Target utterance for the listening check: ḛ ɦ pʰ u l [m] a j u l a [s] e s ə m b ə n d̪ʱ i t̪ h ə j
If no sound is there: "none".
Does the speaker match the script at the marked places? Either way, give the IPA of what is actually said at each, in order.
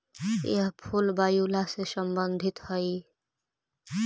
b, s

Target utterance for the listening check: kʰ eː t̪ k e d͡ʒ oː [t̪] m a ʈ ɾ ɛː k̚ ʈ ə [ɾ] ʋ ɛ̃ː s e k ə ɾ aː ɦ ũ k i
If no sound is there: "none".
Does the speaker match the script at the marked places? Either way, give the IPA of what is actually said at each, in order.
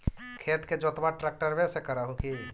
t̪, ɾ

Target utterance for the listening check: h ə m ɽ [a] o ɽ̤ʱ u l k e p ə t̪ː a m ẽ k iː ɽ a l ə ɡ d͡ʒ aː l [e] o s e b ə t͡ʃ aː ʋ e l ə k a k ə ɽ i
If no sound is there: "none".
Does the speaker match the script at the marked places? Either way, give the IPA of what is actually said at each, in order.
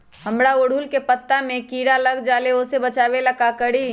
a, e

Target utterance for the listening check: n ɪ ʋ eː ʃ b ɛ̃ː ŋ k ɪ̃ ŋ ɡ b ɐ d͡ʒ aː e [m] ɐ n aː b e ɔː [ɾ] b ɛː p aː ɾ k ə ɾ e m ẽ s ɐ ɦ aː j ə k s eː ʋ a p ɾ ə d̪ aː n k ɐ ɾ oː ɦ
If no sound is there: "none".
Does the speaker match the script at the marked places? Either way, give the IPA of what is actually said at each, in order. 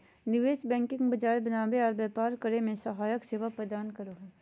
b, ɾ

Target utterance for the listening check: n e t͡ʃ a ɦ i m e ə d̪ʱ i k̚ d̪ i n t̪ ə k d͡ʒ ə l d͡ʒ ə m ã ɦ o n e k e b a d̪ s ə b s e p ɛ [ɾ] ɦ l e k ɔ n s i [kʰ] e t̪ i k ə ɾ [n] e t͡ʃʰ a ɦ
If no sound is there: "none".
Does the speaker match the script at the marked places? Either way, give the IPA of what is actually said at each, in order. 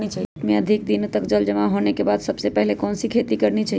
none, kʰ, n

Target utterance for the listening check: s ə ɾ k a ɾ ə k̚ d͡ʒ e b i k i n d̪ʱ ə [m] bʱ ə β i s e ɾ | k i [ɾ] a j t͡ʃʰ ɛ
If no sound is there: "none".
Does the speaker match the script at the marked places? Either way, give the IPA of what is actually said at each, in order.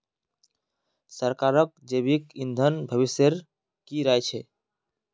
n, ɾ

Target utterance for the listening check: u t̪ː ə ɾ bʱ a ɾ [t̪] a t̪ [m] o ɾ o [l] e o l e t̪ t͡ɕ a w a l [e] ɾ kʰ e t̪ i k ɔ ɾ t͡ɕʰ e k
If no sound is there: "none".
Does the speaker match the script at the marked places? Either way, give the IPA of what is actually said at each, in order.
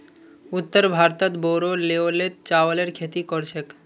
t̪, b, l, e

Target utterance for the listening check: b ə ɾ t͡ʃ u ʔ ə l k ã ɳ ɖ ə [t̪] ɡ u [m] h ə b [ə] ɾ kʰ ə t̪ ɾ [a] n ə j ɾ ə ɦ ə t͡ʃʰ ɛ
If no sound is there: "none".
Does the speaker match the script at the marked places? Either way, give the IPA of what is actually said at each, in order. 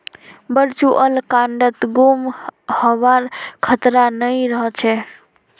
t̪, m, a, a

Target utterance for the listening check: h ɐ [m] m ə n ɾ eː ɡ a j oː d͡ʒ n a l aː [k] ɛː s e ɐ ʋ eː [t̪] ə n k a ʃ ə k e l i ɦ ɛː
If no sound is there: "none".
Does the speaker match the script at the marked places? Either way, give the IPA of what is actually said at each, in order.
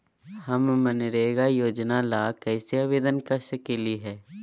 m, k, d̪

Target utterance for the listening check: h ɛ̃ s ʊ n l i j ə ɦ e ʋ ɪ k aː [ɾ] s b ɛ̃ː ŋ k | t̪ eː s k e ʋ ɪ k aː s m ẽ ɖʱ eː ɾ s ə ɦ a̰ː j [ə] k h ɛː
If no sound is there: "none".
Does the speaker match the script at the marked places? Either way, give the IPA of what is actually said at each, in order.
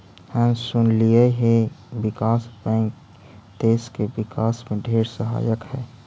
none, ə

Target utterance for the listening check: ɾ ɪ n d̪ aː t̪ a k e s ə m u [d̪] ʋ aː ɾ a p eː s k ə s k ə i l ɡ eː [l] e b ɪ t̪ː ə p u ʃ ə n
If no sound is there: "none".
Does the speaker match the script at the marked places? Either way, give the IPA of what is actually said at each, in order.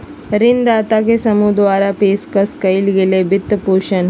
d̪, l

